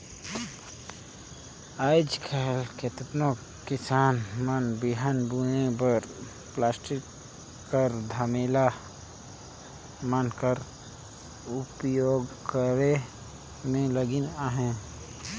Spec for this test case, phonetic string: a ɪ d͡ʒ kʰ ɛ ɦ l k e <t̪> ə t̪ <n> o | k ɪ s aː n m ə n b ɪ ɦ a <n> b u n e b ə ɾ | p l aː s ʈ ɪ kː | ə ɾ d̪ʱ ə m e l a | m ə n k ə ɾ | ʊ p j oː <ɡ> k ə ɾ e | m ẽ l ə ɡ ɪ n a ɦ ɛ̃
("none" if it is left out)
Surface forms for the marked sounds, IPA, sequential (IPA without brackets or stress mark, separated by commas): t̪, n, n, ɡ